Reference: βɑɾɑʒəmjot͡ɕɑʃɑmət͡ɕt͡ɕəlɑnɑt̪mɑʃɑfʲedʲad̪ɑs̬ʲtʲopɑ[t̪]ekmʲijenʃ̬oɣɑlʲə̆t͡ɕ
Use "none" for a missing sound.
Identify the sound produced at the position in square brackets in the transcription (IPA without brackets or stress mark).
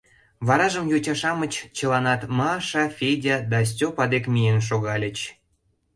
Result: d̪